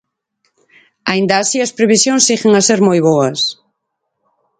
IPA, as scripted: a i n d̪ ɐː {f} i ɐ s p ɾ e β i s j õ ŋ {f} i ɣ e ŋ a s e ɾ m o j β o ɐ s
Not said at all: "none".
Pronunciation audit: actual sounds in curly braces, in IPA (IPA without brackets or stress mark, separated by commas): s, s